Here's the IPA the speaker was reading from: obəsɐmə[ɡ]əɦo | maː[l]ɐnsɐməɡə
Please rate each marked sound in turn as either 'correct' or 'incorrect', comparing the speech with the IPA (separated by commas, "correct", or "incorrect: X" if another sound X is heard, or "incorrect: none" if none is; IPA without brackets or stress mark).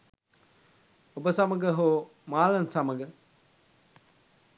correct, correct